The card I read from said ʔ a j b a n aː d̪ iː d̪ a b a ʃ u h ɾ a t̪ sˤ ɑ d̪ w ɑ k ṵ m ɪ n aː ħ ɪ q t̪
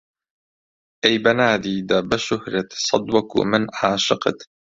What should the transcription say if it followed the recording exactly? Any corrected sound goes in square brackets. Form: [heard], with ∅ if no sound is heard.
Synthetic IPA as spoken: ʔ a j b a n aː d̪ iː d̪ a b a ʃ [ʊ] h ɾ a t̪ sˤ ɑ d̪ w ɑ k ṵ m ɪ n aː [ʃ] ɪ q t̪